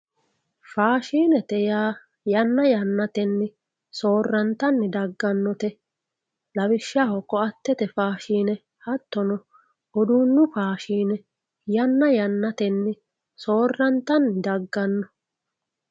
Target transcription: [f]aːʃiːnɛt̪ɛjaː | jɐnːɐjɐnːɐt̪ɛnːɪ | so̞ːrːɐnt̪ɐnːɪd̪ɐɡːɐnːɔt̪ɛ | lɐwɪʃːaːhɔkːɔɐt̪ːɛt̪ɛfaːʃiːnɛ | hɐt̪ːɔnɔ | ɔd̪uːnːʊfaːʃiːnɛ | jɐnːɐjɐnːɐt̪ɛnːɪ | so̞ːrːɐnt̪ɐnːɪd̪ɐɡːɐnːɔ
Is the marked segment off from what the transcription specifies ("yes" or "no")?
no